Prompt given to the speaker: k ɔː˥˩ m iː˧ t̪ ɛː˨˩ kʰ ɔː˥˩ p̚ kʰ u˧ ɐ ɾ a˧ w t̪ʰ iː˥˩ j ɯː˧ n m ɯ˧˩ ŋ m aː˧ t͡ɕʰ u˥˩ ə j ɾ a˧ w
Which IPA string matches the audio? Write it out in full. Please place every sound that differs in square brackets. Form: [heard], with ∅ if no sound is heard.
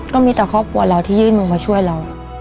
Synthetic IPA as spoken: k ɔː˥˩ m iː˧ t̪ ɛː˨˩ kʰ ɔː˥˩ p̚ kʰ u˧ ɐ ɾ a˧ w t̪ʰ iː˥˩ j [ɯː˥˩] n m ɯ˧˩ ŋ m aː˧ t͡ɕʰ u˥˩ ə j ɾ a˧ w